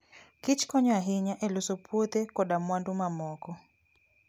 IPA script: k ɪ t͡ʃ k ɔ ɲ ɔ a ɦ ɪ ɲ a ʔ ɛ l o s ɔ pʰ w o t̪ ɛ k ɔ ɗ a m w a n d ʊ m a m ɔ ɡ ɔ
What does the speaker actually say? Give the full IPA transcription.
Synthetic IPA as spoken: k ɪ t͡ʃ k ɔ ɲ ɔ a ɦ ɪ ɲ a ʔ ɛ l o s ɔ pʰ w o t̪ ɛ k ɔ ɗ a m w a n d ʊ m a m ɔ k ɔ